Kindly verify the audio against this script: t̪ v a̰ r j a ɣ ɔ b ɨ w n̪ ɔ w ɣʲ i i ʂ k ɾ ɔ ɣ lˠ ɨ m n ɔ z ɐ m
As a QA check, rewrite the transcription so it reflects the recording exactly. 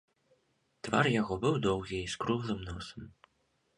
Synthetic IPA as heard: t̪ v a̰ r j a ɣ ɔ b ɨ w d̪ ɔ w ɣʲ i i s k ɾ u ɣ lˠ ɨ m n ɔ s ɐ m

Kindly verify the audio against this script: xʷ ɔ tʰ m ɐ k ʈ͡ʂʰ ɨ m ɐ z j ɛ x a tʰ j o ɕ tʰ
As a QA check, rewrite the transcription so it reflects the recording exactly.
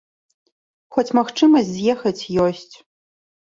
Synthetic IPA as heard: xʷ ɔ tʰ m ɐ x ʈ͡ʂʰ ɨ m ɐ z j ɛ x ɐ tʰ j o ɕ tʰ

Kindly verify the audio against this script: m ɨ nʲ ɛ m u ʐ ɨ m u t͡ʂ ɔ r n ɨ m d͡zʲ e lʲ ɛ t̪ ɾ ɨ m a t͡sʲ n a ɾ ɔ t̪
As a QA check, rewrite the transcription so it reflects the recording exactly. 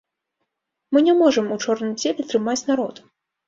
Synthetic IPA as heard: m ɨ nʲ ɛ m ɔ ʐ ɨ m u t͡ʂ ɔ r n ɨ m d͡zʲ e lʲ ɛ t̪ ɾ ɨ m a t͡sʲ n a ɾ ɔ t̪

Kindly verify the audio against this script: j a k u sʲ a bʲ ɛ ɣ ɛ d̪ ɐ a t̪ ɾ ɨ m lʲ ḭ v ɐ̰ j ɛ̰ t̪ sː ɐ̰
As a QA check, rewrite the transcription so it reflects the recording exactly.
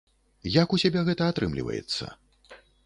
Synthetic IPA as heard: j a k u sʲ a bʲ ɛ ɣ ɛ t̪ ɐ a t̪ ɾ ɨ m lʲ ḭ v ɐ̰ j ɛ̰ t̪ sː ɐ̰

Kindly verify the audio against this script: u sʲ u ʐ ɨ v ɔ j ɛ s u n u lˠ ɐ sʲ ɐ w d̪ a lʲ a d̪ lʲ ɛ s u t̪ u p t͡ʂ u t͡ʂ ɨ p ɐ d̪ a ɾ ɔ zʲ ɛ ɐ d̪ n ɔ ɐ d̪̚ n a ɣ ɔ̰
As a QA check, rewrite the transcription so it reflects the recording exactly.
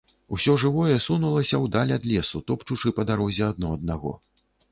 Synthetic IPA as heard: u sʲ ɔ ʐ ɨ v ɔ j ɛ s u n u lˠ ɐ sʲ ɐ w d̪ a lʲ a d̪ lʲ ɛ s u t̪ ɔ p t͡ʂ u t͡ʂ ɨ p ɐ d̪ a ɾ ɔ zʲ ɛ ɐ d̪ n ɔ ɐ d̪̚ n a ɣ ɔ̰

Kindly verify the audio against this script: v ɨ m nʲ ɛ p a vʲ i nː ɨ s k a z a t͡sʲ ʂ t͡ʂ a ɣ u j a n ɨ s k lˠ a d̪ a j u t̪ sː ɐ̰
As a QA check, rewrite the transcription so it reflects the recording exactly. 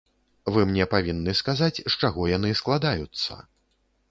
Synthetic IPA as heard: v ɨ m nʲ ɛ p a vʲ i nː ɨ s k a z a t͡sʲ ʂ t͡ʂ a ɣ ɔ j a n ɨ s k lˠ a d̪ a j u t̪ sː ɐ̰

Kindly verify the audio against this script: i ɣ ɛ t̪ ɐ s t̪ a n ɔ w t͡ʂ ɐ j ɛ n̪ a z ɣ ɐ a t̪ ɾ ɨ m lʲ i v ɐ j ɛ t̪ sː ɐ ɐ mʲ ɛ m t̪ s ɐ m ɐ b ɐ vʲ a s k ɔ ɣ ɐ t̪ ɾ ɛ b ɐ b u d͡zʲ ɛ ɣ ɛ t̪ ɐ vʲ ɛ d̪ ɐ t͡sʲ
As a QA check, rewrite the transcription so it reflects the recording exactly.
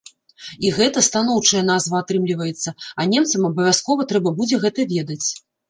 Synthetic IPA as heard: i ɣ ɛ t̪ ɐ s t̪ a n ɔ w t͡ʂ ɐ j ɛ n̪ a z v ɐ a t̪ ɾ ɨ m lʲ i v ɐ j ɛ t̪ sː ɐ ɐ nʲ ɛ m t̪ s ɐ m ɐ b ɐ vʲ a s k ɔ v ɐ t̪ ɾ ɛ b ɐ b u d͡zʲ ɛ ɣ ɛ t̪ ɐ vʲ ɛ d̪ ɐ t͡sʲ

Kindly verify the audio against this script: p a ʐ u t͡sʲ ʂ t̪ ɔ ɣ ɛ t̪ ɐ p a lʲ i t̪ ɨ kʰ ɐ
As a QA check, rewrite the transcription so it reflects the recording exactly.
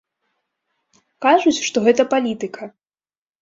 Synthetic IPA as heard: k a ʐ u t͡sʲ ʂ t̪ ɔ ɣ ɛ t̪ ɐ p a lʲ i t̪ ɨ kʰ ɐ

